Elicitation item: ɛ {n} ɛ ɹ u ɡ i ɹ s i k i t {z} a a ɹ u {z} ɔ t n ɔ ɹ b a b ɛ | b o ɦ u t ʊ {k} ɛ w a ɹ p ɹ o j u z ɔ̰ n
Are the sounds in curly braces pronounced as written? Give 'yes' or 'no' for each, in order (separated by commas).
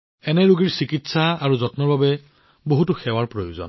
yes, no, yes, no